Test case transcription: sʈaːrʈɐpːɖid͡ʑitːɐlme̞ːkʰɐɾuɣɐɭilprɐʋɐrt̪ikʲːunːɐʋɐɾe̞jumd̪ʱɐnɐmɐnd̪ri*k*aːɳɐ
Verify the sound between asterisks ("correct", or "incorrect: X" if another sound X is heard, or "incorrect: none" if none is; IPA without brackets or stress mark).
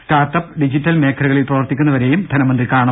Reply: correct